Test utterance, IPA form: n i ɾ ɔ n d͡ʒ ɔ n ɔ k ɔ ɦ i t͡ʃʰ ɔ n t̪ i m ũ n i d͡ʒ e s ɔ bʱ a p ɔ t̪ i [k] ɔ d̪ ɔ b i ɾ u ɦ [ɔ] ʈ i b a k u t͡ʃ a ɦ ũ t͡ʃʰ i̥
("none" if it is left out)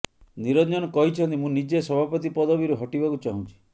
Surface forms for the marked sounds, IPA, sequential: p, ɔ

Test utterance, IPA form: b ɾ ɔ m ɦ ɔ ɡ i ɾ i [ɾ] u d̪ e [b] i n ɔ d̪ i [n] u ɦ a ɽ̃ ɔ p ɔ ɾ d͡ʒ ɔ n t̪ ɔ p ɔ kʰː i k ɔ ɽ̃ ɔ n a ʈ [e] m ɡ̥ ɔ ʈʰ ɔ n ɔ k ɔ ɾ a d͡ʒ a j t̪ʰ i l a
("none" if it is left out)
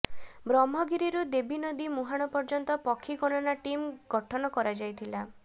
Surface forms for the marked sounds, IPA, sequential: ɾ, b, m, i

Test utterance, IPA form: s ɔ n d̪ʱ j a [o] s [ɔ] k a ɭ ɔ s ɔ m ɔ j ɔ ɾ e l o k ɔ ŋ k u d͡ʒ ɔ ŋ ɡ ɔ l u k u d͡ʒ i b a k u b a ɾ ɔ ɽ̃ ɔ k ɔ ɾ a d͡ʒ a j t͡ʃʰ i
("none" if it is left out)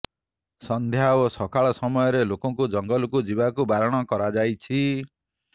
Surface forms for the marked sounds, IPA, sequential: o, ɔ

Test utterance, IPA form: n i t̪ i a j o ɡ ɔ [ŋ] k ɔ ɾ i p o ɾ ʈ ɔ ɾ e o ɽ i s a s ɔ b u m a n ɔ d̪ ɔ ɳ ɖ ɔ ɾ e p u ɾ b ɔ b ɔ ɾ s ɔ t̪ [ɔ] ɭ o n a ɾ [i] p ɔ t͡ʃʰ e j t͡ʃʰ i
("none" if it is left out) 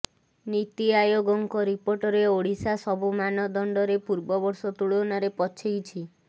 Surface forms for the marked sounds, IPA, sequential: ŋ, u, e

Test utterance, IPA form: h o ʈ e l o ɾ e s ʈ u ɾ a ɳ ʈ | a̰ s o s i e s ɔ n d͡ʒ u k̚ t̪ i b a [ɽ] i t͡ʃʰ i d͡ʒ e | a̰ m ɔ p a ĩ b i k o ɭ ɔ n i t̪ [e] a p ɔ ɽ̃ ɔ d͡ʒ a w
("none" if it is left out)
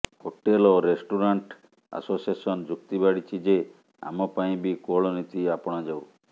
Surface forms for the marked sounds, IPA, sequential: ɽ, i

